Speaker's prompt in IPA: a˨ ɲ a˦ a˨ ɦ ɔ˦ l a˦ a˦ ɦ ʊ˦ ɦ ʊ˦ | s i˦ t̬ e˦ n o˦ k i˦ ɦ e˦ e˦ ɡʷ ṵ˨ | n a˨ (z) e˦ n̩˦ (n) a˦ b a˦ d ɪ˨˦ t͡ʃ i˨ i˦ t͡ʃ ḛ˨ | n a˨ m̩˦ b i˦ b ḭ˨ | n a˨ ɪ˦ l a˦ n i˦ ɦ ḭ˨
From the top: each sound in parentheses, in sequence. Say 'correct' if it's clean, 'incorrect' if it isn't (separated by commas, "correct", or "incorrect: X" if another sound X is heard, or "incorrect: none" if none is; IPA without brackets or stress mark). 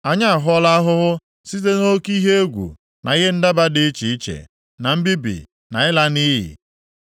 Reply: incorrect: ɣ, incorrect: d